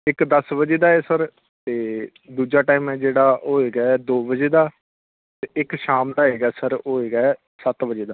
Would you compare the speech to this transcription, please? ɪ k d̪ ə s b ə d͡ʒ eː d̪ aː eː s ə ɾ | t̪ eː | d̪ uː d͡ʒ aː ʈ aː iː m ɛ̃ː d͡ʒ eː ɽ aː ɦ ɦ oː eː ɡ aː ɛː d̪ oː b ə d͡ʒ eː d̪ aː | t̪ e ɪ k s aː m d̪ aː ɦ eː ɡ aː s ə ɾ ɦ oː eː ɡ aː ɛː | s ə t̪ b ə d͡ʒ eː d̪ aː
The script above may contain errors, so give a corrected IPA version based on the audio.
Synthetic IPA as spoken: ɪ k d̪ ə s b ə d͡ʒ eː d̪ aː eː s ə ɾ | t̪ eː | d̪ uː d͡ʒ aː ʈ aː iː m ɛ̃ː d͡ʒ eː ɽ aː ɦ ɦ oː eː ɡ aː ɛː d̪ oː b ə d͡ʒ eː d̪ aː | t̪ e ɪ k ʃ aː m d̪ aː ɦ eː ɡ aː s ə ɾ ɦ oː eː ɡ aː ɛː | s ə t̪ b ə d͡ʒ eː d̪ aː